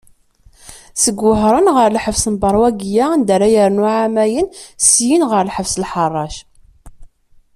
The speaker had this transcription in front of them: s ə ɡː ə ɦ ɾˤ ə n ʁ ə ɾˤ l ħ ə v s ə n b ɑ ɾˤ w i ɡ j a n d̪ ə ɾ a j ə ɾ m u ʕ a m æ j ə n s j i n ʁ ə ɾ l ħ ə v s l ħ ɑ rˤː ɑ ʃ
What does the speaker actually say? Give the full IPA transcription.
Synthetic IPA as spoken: s ə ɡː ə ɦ ɾˤ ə n ʁ ə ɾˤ l ħ ə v s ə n b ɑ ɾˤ w æ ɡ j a n d̪ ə ɾ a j ə ɾ n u ʕ a m æ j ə n s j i n ʁ ə ɾ l ħ ə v s l ħ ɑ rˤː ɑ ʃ